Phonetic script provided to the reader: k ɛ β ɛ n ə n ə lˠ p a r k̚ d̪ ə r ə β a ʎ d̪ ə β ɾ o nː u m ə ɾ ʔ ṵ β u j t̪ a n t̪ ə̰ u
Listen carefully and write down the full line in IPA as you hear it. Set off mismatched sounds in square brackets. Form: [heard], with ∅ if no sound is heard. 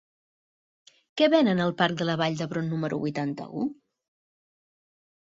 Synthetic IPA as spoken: k ɛ β ɛ n ə n ə lˠ p a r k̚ d̪ ə [l] ə β a ʎ d̪ ə β ɾ o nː u m ə ɾ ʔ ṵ β u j t̪ a n t̪ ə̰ u